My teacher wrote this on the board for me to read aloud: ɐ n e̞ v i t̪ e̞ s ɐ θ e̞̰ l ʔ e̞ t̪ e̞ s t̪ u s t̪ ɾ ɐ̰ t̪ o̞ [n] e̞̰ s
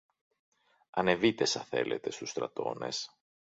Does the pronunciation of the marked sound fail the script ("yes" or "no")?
no